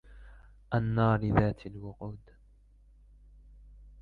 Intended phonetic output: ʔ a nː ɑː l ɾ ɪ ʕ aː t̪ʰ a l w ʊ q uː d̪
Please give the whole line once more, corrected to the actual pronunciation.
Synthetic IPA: ʔ a nː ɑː ɾ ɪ ð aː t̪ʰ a l w ʊ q uː d̪